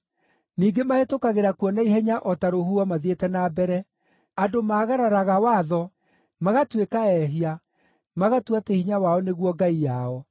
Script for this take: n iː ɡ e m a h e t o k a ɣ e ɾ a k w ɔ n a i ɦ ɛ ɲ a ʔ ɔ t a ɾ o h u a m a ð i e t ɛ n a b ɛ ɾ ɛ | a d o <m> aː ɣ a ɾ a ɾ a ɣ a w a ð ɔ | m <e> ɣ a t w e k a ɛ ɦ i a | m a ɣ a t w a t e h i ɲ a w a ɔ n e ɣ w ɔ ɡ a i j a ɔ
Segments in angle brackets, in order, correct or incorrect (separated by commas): correct, incorrect